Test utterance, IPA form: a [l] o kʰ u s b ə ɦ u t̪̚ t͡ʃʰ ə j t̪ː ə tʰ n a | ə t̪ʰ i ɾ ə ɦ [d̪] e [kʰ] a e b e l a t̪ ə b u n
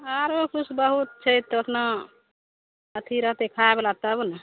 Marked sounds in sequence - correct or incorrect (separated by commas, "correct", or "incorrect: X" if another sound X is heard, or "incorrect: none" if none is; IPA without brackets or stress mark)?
incorrect: ɾ, incorrect: t̪, correct